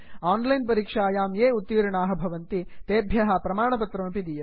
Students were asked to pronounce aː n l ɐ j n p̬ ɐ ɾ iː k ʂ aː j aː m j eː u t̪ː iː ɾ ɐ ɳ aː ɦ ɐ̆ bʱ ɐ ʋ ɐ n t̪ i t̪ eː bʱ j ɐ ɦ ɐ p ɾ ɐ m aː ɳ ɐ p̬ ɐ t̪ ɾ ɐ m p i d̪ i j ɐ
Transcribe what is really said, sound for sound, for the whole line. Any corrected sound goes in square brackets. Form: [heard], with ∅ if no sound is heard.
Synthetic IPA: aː n l ɐ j n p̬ ɐ ɾ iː k ʂ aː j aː m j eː u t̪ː iː ɾ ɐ ɳ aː ɦ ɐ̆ bʱ ɐ ʋ ɐ n t̪ i t̪ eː bʱ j ɐ ɦ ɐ p ɾ ɐ m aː ɳ ɐ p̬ ɐ t̪ ɾ ɐ m p i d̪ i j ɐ